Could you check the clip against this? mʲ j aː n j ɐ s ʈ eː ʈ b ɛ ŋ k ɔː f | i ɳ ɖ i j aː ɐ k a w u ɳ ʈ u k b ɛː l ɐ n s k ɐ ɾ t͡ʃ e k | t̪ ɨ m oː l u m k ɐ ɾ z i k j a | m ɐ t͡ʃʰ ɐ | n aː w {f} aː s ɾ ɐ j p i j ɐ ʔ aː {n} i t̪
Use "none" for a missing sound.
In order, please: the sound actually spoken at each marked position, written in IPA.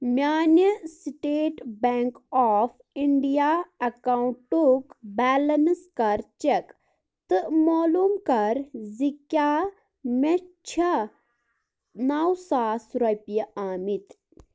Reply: s, m

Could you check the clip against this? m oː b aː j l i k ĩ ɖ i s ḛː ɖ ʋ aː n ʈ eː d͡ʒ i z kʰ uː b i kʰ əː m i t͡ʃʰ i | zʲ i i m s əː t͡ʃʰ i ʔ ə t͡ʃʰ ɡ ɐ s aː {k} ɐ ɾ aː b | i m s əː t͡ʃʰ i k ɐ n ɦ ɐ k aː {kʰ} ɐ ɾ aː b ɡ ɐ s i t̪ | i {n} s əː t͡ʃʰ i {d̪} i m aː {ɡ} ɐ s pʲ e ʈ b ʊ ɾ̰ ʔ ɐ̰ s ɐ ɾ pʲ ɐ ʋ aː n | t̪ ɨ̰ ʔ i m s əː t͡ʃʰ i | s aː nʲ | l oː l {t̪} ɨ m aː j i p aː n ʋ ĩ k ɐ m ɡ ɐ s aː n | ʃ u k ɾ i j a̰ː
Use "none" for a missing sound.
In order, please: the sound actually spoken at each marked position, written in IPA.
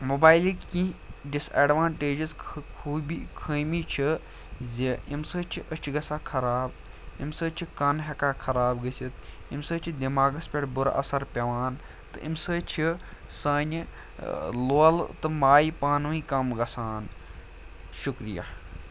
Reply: kʰ, kʰ, m, d̪, ɡ, t̪

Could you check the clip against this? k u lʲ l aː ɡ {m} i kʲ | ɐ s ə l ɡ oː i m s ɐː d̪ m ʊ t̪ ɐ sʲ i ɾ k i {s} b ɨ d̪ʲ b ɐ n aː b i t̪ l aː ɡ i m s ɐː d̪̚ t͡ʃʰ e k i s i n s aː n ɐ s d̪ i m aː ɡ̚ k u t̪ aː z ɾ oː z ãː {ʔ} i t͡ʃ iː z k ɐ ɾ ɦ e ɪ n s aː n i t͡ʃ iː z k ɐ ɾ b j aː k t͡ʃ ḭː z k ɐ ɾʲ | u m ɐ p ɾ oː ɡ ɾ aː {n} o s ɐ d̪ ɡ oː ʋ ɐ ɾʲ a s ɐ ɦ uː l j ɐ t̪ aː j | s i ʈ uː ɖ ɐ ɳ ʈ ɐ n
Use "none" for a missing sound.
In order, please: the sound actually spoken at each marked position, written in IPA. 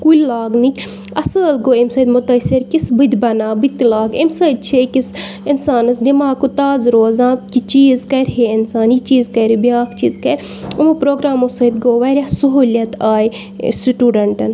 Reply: n, s, k, m

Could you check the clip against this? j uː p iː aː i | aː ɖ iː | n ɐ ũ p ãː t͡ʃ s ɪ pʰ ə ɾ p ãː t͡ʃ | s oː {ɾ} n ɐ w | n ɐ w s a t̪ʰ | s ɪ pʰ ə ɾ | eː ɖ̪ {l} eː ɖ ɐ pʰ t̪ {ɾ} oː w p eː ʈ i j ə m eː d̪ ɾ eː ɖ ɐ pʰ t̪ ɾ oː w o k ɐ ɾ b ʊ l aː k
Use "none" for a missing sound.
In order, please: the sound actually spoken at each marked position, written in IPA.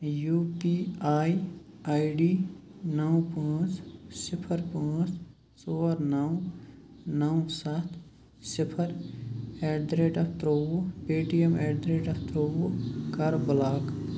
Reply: ɾ, ɾ, ɾ

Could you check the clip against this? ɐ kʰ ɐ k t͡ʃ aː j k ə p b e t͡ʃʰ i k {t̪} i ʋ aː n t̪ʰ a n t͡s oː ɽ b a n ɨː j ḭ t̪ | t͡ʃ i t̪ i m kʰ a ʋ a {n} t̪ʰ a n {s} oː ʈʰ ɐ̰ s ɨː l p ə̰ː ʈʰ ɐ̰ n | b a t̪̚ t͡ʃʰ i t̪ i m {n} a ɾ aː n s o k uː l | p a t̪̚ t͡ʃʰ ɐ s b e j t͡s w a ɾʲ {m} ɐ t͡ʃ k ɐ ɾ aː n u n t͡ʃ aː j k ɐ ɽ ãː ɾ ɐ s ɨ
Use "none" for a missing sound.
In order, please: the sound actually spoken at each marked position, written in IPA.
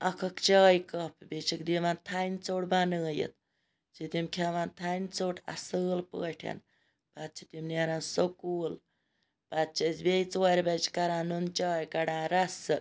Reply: d̪, n, t͡s, n, b

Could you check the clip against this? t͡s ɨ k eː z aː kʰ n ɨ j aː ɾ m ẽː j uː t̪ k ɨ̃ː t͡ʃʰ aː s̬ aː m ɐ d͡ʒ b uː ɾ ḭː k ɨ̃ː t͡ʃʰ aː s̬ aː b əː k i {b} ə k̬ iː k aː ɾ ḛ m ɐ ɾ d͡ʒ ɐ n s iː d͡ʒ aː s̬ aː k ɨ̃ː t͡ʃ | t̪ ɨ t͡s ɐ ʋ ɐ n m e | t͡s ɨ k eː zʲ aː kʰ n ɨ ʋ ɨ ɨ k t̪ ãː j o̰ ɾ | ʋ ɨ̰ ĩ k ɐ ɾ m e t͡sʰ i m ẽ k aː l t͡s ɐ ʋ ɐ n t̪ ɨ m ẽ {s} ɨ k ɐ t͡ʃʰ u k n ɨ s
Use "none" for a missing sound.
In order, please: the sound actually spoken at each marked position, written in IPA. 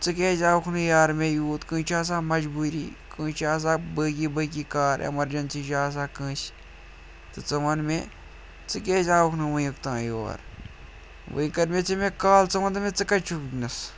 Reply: b, t͡s

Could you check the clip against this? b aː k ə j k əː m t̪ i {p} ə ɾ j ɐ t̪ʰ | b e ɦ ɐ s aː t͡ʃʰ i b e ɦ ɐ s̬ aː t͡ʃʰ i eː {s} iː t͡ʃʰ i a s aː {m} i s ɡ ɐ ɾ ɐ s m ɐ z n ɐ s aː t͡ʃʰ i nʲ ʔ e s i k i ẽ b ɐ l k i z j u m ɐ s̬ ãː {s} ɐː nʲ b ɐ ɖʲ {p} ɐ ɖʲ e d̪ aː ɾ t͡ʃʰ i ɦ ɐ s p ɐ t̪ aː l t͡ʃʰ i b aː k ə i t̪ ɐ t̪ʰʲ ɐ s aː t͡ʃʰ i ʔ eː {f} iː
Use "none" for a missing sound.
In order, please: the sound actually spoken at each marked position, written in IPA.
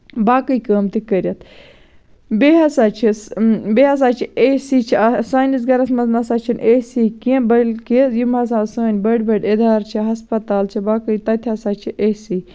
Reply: k, s, n, s, b, s

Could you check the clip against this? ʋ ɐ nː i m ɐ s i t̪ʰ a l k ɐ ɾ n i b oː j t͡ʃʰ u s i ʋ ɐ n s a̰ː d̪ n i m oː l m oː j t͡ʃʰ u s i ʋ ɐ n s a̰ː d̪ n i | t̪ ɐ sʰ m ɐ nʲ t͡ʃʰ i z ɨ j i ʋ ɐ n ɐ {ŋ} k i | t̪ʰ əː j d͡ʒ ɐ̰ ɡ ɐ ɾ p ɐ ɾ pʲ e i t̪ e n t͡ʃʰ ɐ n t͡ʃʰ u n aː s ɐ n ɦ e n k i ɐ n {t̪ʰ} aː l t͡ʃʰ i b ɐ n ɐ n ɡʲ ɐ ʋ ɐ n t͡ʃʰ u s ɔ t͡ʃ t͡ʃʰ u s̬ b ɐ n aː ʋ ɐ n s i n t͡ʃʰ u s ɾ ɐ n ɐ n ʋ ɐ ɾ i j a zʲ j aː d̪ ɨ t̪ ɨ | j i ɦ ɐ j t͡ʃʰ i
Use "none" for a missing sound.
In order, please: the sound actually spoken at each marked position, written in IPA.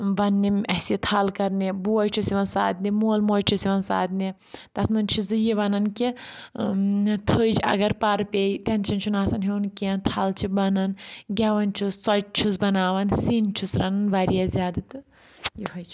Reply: n, t̪ʰ

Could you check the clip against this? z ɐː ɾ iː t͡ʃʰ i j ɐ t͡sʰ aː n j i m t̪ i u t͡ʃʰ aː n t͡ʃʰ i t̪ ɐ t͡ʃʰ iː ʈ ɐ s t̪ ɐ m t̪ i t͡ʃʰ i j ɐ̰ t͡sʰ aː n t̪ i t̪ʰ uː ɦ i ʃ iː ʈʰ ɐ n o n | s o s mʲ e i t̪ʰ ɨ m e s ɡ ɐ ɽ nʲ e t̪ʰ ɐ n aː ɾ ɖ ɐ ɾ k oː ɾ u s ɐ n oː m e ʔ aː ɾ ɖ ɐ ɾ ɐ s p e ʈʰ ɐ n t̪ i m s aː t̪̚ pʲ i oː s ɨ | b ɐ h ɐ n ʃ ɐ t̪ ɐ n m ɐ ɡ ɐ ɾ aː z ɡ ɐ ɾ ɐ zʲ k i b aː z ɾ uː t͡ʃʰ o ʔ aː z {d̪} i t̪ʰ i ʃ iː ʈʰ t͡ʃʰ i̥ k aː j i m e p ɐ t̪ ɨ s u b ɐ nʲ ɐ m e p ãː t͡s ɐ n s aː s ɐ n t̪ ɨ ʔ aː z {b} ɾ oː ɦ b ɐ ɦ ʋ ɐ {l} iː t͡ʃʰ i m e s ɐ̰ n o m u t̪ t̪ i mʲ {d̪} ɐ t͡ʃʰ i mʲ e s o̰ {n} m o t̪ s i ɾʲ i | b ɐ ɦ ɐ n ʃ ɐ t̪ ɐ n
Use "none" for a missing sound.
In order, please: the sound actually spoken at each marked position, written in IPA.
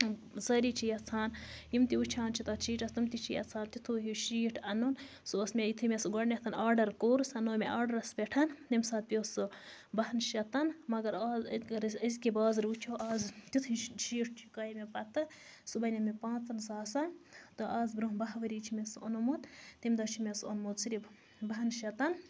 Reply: t̪, b, ɾ, d̪, n

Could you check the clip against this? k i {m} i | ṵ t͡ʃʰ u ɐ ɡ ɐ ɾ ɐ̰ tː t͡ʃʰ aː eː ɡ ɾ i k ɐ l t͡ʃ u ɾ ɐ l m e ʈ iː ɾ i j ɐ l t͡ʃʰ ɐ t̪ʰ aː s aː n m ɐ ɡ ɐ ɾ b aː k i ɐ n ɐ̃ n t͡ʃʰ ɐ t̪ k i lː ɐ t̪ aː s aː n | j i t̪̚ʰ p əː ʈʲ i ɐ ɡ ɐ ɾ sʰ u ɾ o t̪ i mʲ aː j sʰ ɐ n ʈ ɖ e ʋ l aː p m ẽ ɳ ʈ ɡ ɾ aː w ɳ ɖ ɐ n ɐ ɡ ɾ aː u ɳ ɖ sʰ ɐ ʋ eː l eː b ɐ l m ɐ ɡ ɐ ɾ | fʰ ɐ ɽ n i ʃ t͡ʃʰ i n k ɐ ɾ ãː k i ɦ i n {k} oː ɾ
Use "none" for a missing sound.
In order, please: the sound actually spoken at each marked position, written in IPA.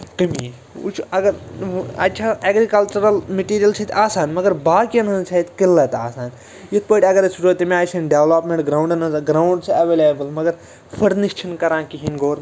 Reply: m, ɡ

